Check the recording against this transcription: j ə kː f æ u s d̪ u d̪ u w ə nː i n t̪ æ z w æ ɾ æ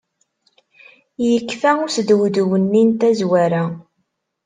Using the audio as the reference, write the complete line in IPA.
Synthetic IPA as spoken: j ə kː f æ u s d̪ w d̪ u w ə nː i n t̪ æ z w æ ɾ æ